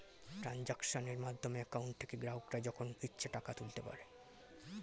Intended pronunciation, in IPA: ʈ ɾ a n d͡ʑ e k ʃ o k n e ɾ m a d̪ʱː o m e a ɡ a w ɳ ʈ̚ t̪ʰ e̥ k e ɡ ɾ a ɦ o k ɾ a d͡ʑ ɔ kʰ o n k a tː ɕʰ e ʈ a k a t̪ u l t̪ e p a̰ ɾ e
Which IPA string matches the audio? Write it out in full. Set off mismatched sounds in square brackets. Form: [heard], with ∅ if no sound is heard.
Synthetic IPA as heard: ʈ ɾ a n d͡ʑ [a] k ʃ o [∅] n e ɾ m a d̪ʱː o m e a [k] a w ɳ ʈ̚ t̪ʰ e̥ k e ɡ ɾ a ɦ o k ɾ a d͡ʑ ɔ kʰ o n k [i] tː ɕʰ e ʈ a k a t̪ u l t̪ e p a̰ ɾ e